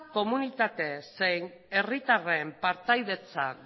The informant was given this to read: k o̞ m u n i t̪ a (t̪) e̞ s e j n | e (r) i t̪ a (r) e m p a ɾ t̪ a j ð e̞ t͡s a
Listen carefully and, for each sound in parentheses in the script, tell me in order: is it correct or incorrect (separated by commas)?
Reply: correct, correct, correct